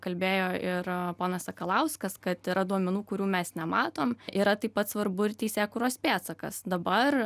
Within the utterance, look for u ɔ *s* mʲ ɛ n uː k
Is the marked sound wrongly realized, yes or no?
yes